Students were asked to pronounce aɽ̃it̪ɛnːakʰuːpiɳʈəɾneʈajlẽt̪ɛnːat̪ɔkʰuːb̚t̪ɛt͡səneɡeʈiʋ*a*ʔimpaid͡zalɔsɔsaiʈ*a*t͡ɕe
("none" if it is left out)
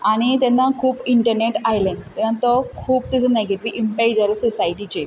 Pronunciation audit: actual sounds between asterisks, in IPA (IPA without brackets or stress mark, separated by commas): i, i